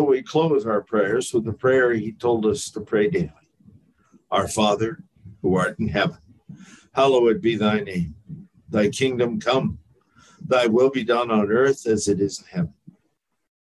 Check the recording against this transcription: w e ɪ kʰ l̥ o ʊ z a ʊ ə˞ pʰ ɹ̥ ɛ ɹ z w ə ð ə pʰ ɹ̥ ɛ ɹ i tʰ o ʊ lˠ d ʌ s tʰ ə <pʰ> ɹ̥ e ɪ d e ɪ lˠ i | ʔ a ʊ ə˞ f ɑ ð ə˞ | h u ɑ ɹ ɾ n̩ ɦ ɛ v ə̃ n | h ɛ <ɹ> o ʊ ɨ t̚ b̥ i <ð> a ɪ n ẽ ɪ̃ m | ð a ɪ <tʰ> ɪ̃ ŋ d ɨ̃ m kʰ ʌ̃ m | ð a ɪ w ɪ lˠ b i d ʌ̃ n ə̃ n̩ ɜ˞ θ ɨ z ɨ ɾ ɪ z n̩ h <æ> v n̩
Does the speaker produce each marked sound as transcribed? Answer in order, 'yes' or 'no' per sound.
yes, no, yes, no, no

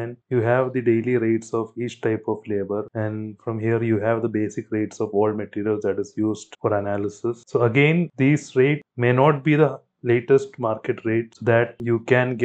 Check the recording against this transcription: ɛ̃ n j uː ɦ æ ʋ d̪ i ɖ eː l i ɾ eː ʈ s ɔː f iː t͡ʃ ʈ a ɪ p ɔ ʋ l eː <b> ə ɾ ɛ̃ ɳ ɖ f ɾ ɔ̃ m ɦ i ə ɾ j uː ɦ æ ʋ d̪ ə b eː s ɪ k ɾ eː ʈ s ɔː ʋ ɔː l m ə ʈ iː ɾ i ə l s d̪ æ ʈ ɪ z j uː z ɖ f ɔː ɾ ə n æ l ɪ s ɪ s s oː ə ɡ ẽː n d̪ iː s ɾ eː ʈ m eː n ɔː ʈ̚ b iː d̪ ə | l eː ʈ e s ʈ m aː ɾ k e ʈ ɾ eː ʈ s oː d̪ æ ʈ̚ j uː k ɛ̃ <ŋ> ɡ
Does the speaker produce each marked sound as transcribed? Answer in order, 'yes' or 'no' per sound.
yes, no

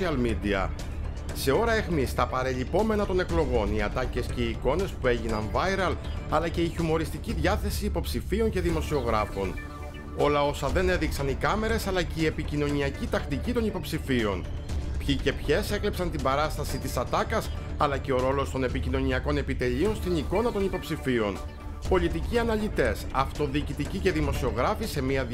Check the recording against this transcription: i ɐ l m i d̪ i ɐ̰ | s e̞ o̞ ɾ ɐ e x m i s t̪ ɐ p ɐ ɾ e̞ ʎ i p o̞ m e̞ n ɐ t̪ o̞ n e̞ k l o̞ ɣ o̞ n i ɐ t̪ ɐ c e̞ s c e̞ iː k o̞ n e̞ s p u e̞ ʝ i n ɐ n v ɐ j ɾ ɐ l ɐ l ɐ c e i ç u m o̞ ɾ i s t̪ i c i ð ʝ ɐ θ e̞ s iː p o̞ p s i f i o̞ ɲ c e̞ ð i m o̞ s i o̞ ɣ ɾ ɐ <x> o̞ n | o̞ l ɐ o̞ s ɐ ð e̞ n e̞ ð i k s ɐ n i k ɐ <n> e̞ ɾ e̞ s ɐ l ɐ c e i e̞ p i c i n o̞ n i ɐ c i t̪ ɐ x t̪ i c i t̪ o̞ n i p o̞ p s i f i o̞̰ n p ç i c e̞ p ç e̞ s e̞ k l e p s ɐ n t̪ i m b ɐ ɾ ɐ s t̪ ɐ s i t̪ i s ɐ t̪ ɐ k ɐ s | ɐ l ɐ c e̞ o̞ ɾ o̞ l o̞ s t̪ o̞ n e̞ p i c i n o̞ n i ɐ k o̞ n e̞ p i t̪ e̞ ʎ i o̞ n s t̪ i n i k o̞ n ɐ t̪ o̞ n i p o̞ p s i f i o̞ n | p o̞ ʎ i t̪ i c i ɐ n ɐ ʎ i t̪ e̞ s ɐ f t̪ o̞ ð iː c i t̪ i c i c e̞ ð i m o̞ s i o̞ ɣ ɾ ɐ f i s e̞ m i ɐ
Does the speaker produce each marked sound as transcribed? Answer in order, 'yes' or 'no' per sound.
no, no

